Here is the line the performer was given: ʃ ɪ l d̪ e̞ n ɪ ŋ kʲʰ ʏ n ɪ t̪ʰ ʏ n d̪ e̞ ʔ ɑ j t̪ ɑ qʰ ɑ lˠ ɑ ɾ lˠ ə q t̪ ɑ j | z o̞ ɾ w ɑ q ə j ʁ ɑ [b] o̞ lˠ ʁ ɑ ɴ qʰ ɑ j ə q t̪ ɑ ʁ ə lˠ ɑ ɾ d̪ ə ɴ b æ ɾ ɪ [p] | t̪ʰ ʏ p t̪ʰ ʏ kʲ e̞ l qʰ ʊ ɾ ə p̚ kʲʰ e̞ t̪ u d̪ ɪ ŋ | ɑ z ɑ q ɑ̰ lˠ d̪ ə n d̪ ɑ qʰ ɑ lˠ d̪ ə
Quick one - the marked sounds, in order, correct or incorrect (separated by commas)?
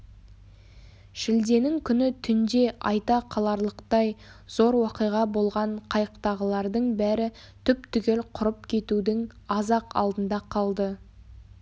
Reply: correct, incorrect